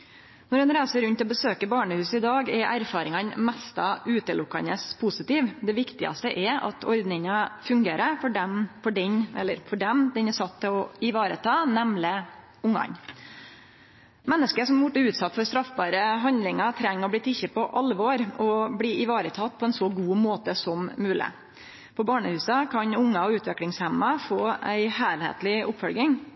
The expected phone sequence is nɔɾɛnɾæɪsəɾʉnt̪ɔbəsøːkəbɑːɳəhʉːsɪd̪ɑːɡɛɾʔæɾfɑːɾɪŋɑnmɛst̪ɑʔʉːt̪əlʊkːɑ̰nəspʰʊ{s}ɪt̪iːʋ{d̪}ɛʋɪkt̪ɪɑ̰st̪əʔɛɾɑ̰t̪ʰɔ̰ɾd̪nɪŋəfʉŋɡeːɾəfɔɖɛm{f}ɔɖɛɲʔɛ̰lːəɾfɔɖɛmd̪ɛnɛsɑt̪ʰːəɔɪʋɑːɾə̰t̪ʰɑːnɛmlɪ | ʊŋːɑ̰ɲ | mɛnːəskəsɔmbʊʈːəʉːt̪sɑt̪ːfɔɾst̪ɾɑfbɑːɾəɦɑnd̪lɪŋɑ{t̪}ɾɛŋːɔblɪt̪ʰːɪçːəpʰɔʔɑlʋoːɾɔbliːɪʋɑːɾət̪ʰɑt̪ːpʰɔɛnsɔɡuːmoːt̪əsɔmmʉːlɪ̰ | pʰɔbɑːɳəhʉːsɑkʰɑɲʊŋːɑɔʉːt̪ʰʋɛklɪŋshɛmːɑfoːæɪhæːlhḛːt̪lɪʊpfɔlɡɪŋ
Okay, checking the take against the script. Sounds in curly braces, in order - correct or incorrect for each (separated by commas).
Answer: correct, correct, correct, incorrect